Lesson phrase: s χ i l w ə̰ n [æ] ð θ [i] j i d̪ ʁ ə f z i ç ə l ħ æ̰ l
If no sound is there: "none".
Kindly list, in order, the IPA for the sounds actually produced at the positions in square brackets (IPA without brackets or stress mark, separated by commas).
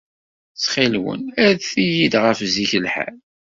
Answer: æ, i